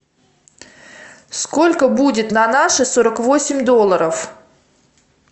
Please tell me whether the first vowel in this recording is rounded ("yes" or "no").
yes